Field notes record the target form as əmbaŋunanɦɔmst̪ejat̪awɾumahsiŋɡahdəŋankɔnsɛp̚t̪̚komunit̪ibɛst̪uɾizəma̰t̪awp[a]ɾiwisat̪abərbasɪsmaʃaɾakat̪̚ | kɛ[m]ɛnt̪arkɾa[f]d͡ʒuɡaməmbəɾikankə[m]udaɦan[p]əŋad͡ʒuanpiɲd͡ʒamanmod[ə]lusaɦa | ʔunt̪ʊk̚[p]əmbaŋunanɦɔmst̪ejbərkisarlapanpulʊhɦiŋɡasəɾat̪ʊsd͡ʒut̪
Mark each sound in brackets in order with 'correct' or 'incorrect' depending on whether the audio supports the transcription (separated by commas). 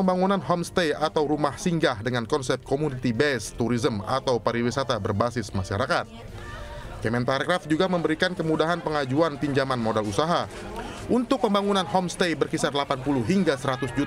correct, correct, correct, correct, correct, incorrect, correct